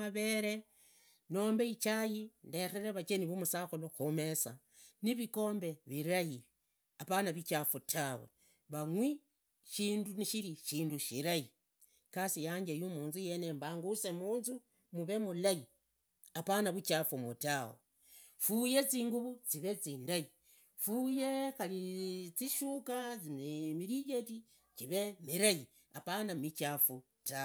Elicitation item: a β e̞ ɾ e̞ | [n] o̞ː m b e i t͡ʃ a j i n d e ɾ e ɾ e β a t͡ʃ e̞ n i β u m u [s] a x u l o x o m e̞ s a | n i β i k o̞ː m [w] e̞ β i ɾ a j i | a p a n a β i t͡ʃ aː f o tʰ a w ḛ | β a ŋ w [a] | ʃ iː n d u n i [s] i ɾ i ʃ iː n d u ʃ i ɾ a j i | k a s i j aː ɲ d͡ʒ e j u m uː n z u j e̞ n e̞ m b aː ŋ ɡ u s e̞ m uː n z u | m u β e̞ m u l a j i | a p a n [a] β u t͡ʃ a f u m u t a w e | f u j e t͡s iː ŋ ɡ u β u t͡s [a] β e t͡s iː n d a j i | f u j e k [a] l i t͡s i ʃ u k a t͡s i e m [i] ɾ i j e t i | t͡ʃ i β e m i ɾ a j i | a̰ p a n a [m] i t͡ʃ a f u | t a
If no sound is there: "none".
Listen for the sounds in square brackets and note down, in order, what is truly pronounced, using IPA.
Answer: n, s, b, i, ʃ, a, i, a, i, m

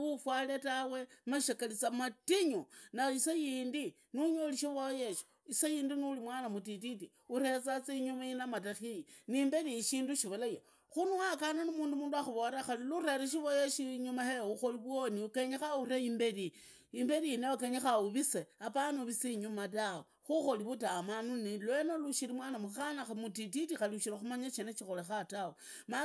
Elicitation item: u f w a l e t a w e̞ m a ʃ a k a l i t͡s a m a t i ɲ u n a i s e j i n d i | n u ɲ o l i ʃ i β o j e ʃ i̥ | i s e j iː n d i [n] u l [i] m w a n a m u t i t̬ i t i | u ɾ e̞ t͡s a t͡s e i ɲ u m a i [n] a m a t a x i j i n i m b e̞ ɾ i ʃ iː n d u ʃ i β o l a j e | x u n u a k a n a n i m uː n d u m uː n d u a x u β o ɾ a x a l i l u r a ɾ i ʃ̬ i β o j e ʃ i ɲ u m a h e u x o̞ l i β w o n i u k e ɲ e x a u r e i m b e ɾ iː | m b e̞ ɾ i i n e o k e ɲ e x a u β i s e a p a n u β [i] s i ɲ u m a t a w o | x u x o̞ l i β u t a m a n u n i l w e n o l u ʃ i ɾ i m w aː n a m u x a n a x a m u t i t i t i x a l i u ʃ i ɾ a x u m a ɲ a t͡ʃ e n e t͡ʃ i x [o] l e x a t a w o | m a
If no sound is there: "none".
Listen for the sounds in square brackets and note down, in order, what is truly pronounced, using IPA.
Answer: n, i, n, i, o

